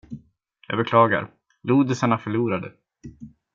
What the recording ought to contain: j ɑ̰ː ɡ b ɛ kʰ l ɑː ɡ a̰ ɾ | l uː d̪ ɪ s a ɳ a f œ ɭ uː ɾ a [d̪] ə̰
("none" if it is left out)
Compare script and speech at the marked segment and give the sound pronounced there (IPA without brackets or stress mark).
d̪